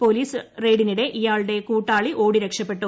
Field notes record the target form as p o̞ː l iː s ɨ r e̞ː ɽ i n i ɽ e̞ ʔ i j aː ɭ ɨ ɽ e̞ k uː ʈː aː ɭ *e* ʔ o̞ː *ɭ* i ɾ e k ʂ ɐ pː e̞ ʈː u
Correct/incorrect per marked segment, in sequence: incorrect: i, incorrect: ɽ

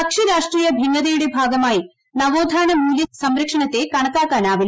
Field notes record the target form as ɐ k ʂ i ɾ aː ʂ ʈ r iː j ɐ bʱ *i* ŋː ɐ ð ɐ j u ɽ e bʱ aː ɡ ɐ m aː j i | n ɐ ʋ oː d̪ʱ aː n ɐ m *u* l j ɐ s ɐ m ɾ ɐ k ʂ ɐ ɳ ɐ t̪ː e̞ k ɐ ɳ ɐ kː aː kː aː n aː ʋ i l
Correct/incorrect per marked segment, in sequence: correct, incorrect: uː

